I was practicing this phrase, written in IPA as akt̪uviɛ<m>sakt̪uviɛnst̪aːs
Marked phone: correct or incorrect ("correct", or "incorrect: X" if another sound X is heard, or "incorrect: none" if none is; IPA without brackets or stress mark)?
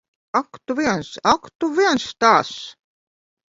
incorrect: n